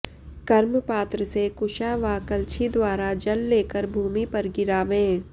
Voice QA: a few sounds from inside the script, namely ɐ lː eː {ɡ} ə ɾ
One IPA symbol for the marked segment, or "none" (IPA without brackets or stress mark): k